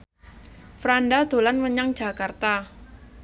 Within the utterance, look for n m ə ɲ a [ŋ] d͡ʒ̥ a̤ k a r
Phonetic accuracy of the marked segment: correct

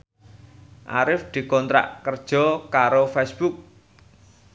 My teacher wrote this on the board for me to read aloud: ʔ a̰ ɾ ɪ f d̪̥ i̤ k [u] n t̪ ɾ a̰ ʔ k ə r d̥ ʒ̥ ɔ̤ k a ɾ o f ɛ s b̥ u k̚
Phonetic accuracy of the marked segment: incorrect: ɔ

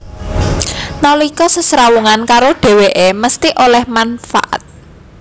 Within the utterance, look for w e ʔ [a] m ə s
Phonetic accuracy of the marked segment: incorrect: e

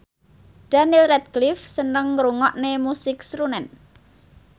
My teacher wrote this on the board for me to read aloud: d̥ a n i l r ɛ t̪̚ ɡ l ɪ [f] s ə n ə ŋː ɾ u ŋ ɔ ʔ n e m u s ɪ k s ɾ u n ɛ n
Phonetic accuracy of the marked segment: correct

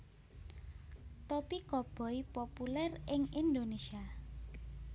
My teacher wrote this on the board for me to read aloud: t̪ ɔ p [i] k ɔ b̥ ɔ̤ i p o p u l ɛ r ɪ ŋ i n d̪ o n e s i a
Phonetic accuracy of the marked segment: correct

